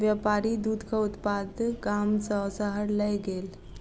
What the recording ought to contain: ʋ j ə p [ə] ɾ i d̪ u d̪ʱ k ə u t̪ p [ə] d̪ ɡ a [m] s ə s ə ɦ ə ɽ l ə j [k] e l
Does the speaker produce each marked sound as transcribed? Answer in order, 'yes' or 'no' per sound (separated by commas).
no, no, yes, no